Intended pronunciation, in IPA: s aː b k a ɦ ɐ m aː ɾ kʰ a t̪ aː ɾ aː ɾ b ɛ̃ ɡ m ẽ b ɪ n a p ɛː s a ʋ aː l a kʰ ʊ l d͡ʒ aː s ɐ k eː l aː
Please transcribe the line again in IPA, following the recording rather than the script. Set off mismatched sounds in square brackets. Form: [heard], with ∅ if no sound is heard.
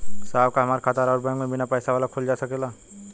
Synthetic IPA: s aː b k a ɦ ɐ m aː ɾ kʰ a t̪ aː ɾ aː ɾ b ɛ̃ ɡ m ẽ b ɪ n a p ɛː s a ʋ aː l a kʰ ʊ l d͡ʒ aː s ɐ k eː l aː